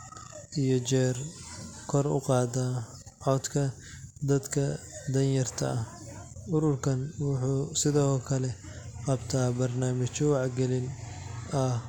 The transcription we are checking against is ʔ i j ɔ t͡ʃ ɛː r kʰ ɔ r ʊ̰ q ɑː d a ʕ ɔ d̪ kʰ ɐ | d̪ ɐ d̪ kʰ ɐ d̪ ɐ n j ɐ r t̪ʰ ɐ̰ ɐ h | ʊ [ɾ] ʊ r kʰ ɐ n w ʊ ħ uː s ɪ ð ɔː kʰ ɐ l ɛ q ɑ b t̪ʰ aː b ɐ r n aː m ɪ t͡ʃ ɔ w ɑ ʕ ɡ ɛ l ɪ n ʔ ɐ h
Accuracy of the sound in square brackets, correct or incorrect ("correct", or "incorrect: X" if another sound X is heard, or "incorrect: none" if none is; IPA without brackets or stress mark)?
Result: correct